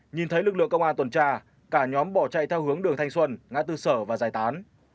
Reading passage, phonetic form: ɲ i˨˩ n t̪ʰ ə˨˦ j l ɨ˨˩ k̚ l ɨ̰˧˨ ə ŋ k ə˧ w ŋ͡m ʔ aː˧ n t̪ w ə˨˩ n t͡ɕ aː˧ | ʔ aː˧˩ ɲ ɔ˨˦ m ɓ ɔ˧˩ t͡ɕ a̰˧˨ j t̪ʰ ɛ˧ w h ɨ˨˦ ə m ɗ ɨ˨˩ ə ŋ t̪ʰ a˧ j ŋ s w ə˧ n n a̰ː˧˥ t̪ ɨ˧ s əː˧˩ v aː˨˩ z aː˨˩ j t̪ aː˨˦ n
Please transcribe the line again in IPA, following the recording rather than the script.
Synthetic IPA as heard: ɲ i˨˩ n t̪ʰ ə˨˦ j l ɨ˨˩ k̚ l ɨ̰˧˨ ə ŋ k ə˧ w ŋ͡m ʔ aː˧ n t̪ w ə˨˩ n t͡ɕ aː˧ | k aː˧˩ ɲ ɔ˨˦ m ɓ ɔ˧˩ t͡ɕ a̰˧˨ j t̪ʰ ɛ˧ w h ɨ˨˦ ə ŋ ɗ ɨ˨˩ ə ŋ t̪ʰ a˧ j ŋ s w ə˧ n ŋ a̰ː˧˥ t̪ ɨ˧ s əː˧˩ v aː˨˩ z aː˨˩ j t̪ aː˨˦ n